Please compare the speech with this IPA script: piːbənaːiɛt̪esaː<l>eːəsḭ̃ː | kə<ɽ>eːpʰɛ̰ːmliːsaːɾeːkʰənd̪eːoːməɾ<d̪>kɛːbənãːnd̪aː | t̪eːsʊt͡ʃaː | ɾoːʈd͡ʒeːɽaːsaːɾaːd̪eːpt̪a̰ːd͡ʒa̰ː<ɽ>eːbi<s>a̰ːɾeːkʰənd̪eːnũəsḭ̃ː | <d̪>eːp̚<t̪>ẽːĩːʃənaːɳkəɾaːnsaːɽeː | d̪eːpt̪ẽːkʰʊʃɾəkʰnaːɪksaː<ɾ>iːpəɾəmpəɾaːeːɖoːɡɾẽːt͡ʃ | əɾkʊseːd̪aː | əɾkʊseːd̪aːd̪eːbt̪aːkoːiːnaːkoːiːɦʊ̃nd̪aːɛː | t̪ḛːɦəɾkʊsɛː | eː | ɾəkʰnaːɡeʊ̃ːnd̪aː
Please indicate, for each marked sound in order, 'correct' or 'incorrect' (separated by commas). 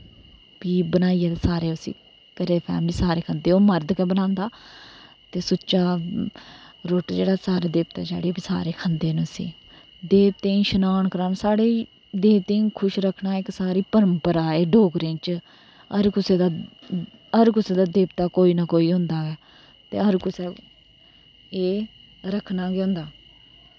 incorrect, incorrect, correct, correct, correct, correct, correct, correct